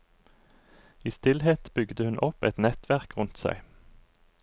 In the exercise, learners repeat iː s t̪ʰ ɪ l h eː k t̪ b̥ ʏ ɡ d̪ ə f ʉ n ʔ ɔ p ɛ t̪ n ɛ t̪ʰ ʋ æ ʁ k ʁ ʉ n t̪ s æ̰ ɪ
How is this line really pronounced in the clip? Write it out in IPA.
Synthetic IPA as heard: iː s t̪ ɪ l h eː t̪ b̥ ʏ ɡ d̪ ə h ʉ n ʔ ɔ p ɛ t̪ n ɛ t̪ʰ ʋ æ ʁ k ʁ ʉ n t̪ s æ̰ ɪ